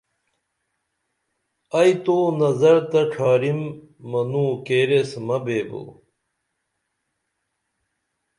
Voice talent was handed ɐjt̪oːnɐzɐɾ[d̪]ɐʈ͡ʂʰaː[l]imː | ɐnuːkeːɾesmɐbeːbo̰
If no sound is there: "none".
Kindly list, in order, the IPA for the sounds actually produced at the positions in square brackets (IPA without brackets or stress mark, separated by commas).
t̪, ɾ